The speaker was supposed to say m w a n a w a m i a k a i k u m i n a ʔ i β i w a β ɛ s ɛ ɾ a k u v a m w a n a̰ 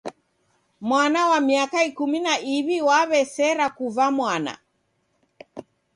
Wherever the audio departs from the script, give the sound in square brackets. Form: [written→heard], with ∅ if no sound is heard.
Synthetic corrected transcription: m w a n a w a m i a k a i k u m i n a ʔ i β i w a β ɛ s ɛ ɾ a k u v a m w a n a̰